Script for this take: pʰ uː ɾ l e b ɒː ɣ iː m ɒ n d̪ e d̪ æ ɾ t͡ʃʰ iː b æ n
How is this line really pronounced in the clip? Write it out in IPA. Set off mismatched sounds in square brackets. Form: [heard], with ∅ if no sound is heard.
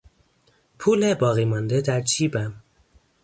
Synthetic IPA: pʰ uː [∅] l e b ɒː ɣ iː m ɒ n d̪ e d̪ æ ɾ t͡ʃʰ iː b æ [m]